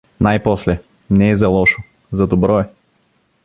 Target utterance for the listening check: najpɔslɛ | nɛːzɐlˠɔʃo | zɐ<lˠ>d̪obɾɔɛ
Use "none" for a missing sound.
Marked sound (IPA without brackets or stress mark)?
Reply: none